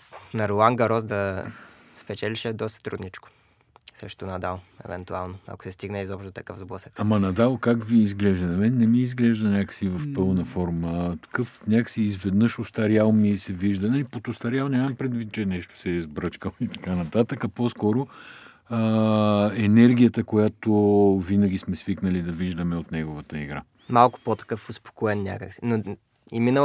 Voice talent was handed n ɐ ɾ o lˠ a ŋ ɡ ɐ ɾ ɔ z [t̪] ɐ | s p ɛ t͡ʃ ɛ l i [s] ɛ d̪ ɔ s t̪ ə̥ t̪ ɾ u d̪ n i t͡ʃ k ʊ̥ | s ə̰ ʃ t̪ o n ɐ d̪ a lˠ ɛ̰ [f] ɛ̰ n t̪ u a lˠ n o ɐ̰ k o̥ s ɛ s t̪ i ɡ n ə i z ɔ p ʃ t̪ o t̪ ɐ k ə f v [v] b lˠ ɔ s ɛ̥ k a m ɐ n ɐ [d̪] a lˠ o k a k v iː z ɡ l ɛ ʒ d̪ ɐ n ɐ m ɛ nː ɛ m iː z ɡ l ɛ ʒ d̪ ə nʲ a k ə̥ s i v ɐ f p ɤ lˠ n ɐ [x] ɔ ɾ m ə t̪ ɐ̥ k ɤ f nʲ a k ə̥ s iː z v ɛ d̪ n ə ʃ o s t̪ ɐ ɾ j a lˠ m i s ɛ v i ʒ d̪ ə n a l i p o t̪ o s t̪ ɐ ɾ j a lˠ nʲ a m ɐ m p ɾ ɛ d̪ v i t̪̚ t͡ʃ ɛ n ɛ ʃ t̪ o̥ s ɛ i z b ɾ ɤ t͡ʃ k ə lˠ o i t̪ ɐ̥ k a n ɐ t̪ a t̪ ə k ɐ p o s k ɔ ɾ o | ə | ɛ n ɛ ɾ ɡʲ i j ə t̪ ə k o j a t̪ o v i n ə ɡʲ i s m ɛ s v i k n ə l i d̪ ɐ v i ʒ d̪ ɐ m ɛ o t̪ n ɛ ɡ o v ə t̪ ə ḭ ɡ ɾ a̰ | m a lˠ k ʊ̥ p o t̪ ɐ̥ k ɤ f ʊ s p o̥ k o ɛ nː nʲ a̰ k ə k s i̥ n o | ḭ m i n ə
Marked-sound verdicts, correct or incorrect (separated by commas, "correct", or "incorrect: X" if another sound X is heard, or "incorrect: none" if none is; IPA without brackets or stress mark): incorrect: d̪, incorrect: ʃ, incorrect: v, incorrect: z, correct, incorrect: f